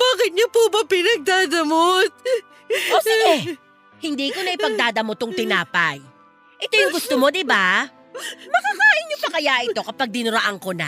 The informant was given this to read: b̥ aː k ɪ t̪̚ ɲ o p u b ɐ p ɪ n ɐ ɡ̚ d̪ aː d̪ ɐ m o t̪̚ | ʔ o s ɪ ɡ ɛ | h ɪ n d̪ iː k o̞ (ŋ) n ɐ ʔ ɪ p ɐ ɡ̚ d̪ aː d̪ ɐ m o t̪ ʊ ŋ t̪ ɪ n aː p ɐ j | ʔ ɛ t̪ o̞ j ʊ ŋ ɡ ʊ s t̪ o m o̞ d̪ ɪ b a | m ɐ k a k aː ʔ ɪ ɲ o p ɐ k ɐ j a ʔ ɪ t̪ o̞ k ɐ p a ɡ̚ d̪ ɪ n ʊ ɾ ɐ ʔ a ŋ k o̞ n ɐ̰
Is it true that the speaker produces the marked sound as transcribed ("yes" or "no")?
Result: no